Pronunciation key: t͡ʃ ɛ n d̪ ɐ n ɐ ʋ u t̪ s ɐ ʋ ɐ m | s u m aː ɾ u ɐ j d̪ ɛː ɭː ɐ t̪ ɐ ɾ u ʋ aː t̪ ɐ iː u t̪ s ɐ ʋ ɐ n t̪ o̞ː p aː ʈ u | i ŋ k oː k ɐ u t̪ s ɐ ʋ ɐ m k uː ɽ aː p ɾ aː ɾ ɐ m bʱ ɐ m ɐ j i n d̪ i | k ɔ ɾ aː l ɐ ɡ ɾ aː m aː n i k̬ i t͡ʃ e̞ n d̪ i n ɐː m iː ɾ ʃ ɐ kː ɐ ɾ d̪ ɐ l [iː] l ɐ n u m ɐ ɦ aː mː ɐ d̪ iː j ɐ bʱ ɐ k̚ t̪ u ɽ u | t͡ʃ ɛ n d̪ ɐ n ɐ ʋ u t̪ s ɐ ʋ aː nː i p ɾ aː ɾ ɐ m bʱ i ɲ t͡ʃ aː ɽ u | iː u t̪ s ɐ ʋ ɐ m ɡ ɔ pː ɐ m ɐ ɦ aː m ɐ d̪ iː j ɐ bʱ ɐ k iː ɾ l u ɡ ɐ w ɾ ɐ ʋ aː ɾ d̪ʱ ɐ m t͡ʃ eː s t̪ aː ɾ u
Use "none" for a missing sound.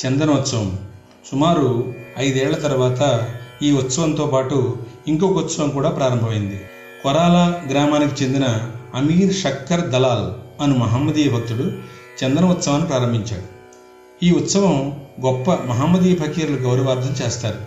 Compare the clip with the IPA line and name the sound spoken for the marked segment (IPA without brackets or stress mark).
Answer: aː